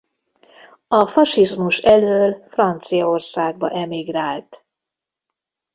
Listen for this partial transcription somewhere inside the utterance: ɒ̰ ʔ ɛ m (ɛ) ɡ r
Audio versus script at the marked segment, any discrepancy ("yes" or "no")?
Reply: yes